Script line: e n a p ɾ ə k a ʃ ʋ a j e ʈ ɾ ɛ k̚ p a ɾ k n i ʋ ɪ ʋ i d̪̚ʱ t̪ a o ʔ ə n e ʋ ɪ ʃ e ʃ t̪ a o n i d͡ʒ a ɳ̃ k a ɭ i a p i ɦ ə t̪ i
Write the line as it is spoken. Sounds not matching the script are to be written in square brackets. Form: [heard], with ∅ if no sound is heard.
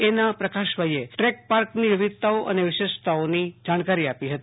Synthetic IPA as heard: e n a p ɾ ə k a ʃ ʋ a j e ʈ ɾ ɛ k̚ p a ɾ k n i ʋ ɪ ʋ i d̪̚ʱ t̪ a o ʔ ə n e ʋ ɪ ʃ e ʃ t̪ a o n i d͡ʒ a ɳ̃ k a [ɾ] i a p i ɦ ə t̪ i